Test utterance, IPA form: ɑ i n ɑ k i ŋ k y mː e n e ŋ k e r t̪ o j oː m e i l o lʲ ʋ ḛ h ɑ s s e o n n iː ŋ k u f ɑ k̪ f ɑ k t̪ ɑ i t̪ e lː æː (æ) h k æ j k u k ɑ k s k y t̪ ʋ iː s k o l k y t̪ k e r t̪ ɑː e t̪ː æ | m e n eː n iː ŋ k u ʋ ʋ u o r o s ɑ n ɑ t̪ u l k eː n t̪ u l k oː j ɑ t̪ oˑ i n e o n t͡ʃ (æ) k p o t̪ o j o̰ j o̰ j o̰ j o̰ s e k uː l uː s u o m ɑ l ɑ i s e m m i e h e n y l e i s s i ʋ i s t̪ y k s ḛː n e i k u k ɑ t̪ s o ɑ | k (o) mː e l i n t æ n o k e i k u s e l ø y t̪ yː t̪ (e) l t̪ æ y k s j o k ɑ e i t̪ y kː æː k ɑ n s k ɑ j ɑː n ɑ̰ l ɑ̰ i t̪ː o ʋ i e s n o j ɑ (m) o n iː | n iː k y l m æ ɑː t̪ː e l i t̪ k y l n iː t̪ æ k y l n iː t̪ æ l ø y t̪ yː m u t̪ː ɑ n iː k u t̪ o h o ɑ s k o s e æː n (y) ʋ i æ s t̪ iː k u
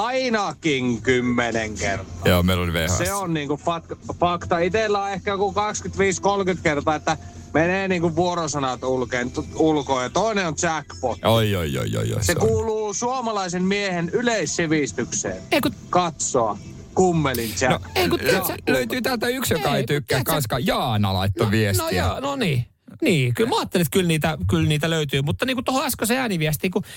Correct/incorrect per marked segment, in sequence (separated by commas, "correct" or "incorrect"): incorrect, correct, incorrect, incorrect, incorrect, incorrect